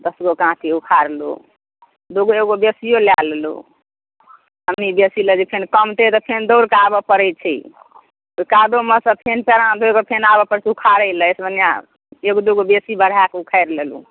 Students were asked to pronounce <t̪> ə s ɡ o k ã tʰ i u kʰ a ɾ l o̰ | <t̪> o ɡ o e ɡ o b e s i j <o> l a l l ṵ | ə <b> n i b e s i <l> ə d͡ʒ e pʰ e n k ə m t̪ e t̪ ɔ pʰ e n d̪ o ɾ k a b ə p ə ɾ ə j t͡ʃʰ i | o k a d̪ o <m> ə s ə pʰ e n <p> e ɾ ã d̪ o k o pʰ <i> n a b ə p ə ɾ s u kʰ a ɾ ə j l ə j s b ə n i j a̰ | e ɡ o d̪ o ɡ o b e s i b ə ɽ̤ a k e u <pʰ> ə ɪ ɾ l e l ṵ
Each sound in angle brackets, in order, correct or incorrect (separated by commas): incorrect, incorrect, correct, incorrect, correct, correct, correct, incorrect, incorrect